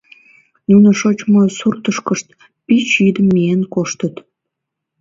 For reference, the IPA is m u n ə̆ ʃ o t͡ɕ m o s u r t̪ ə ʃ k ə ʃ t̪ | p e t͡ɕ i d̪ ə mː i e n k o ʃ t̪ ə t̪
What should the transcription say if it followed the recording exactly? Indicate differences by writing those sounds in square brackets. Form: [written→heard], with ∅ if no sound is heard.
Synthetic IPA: [m→n] u n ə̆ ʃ o t͡ɕ m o s u r t̪ ə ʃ k ə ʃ t̪ | p [e→i] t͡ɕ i d̪ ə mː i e n k o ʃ t̪ ə t̪